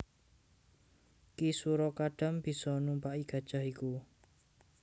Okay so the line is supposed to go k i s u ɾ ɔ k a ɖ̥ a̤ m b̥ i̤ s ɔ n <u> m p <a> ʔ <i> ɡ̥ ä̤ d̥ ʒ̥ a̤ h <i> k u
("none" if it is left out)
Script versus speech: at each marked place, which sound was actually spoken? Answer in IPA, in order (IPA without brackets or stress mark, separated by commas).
u, a, i, i